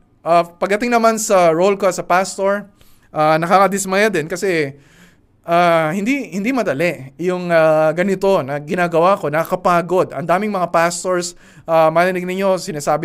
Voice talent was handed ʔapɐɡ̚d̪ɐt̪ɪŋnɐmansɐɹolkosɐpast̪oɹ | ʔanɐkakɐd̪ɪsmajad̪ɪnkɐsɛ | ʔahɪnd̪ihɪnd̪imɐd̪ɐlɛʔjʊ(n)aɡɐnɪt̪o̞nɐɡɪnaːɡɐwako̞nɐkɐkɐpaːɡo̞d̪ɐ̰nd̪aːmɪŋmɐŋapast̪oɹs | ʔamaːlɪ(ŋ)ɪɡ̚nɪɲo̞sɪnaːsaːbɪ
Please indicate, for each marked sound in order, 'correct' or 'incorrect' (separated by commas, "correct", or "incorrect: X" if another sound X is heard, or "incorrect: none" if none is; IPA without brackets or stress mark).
incorrect: ŋ, incorrect: n